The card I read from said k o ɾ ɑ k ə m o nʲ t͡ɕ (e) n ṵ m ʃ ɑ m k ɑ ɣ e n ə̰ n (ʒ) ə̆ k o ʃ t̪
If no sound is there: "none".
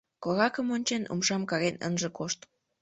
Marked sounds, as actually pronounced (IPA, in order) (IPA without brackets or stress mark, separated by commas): e, ʒ